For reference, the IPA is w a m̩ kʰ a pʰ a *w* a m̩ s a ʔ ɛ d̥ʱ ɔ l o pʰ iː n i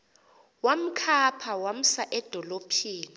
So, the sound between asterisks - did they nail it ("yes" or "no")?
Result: yes